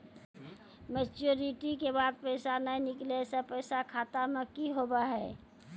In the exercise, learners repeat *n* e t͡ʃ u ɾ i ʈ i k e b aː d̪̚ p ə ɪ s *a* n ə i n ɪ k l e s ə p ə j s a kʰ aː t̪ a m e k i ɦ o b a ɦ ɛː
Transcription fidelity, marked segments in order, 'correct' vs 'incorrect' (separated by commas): incorrect, correct